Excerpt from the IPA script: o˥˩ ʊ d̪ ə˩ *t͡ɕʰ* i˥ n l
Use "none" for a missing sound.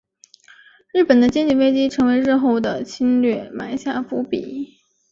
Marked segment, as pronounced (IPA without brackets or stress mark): t͡ɕʰ